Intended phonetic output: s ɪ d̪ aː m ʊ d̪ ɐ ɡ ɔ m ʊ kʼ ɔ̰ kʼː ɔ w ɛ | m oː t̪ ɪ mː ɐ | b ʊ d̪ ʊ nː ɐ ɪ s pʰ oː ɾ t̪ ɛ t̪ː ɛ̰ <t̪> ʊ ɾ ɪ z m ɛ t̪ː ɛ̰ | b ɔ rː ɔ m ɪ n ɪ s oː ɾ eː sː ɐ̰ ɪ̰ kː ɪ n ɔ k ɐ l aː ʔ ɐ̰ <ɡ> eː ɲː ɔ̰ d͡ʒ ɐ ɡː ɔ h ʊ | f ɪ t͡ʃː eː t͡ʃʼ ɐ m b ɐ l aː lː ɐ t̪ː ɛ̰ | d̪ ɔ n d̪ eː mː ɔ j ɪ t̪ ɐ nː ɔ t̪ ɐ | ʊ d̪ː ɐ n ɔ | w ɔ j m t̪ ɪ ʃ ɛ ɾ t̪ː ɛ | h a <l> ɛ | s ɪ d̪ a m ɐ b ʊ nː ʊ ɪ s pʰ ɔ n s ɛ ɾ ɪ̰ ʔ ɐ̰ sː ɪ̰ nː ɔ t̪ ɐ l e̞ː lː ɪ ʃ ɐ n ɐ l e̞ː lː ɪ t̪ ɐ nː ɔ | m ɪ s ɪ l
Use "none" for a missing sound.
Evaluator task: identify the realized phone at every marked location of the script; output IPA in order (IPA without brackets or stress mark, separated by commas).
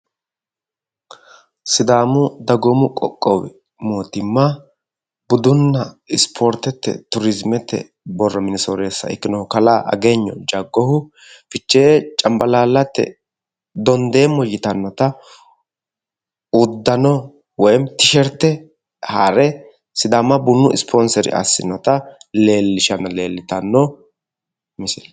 t̪, ɡ, ɾ